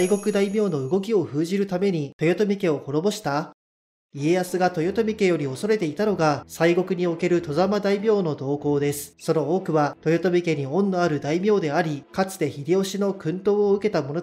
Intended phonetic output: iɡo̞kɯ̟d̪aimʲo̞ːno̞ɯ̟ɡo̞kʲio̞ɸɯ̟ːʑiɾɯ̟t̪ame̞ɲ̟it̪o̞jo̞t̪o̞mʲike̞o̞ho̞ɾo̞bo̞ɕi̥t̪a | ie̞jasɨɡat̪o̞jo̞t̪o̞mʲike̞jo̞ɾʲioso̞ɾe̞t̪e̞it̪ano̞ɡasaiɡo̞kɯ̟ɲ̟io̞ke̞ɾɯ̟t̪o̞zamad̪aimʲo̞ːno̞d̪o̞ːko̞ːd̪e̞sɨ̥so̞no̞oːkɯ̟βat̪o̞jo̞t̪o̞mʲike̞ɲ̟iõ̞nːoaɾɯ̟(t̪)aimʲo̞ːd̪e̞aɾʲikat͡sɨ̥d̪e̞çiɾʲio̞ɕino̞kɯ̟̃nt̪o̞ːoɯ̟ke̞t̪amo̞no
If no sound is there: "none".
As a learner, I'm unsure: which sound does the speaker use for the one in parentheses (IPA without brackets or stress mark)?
d̪